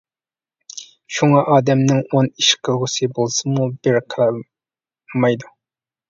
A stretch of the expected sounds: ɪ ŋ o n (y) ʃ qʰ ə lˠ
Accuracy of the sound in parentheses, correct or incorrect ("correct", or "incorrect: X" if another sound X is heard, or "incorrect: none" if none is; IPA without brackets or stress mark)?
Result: incorrect: i